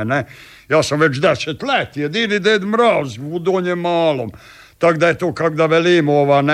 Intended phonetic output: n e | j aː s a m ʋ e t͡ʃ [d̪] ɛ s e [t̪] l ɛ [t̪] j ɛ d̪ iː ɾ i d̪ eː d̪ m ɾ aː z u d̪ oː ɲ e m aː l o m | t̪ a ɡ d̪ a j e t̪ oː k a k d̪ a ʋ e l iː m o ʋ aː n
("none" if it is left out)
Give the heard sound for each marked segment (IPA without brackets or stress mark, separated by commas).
d̪, t̪, t̪